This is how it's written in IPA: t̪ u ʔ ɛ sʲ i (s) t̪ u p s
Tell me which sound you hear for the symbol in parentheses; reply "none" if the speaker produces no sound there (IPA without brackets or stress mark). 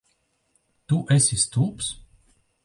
s